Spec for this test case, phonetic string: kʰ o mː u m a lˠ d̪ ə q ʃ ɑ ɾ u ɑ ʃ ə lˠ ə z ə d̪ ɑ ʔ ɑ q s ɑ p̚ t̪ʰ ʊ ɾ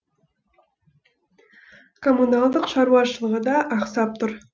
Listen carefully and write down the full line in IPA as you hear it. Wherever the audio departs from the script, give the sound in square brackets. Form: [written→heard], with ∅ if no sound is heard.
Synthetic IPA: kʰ o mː u [m→n] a lˠ d̪ ə q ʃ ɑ ɾ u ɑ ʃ ə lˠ ə [z→ʁ] ə d̪ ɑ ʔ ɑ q s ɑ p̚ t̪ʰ ʊ ɾ